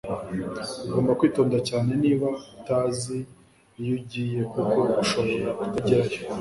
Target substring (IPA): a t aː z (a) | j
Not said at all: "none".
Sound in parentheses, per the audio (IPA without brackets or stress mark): i